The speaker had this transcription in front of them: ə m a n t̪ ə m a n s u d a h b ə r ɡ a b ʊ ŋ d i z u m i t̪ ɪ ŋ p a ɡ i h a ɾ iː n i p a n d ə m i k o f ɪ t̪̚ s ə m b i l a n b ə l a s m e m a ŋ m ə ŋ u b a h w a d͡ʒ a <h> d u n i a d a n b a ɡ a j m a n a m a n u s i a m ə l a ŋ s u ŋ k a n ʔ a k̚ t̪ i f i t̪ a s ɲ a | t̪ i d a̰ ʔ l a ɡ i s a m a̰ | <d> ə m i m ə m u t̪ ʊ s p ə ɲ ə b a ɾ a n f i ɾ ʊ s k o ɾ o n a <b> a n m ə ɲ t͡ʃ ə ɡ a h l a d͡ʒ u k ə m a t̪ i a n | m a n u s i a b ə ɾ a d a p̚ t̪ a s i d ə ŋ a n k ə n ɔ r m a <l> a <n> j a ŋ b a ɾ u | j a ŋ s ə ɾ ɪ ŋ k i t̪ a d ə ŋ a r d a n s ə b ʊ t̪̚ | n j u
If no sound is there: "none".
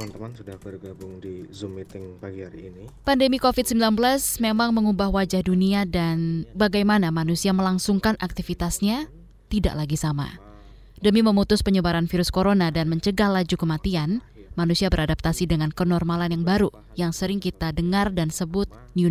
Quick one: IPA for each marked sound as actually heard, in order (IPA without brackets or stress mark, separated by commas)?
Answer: h, d, d, l, n